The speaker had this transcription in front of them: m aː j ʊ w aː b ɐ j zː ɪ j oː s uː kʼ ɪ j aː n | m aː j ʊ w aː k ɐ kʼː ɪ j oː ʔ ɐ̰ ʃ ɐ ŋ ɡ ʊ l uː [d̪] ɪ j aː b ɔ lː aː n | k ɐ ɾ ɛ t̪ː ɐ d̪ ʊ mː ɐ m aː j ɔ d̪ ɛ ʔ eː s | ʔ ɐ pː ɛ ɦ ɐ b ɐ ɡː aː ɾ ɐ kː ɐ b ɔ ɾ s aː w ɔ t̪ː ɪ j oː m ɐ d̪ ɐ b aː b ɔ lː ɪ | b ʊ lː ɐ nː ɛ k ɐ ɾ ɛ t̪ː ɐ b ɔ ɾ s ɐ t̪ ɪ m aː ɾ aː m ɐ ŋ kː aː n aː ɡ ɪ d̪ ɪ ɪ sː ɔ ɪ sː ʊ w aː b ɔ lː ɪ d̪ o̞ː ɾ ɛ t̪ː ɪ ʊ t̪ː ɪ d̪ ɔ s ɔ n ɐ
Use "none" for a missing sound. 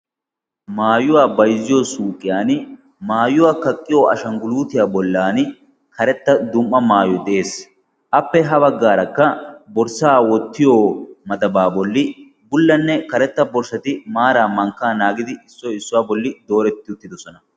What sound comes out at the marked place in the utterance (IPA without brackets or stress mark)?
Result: t̪